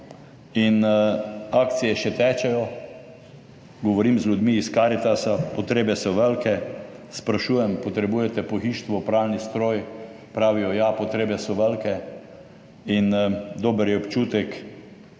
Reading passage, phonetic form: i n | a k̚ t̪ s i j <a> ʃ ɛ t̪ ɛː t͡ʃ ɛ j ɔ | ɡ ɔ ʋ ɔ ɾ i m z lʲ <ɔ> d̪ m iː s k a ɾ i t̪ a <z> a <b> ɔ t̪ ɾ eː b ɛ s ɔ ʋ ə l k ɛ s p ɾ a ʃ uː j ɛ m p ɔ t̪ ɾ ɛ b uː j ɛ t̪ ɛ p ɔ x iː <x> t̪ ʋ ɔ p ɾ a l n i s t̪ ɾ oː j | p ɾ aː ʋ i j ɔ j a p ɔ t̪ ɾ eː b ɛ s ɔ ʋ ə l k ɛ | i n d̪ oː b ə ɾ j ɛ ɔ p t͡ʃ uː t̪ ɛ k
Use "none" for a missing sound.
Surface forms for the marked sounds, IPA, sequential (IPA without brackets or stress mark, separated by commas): ɛ, u, s, p, ʃ